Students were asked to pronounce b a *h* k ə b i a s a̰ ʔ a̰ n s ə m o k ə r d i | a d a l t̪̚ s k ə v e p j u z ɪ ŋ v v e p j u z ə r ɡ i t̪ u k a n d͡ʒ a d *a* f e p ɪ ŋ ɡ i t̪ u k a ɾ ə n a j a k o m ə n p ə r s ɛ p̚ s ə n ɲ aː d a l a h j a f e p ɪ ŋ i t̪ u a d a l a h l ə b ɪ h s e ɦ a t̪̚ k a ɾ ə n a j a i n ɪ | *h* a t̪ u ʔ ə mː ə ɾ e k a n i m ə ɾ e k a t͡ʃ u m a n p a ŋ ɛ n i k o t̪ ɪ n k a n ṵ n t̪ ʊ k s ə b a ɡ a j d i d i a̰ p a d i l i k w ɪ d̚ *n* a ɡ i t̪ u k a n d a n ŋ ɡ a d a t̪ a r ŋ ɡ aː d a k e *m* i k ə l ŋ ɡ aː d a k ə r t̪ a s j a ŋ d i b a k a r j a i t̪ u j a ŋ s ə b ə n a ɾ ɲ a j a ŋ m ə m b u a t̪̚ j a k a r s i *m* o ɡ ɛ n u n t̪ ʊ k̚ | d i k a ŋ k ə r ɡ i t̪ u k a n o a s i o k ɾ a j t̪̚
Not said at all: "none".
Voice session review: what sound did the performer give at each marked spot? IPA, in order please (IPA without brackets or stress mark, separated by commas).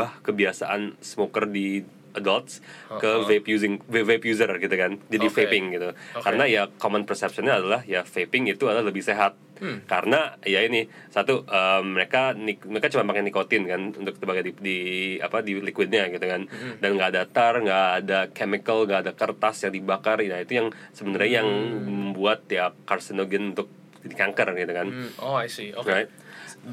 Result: h, i, s, ɲ, m, n